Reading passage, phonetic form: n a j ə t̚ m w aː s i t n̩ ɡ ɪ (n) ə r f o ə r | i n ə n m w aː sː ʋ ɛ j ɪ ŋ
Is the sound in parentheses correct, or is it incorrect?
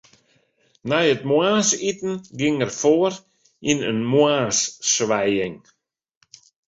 incorrect